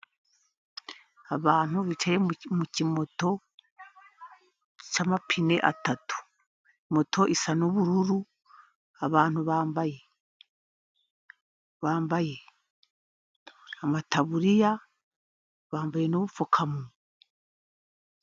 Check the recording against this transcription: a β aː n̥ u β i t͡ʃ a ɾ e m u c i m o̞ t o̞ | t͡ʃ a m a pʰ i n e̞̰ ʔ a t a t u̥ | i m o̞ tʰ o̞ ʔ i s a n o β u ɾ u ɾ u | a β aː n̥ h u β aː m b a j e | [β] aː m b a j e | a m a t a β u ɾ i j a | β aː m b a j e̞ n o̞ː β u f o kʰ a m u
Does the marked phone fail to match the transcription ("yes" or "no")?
no